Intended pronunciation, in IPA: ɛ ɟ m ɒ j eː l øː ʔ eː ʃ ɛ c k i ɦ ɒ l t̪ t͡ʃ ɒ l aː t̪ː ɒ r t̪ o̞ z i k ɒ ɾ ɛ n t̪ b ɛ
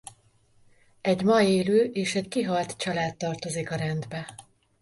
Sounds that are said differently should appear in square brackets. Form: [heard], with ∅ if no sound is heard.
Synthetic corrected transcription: ɛ ɟ m ɒ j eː l øː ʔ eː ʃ ɛ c k i ɦ ɒ l t̪ t͡ʃ ɒ l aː t̪ː ɒ r t̪ o̞ z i k ɒ ɾ ɛ n [d̪] b ɛ